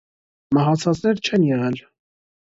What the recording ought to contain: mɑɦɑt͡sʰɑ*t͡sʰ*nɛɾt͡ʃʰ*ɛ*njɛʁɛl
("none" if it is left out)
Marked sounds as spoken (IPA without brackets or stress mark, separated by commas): t͡s, ɛ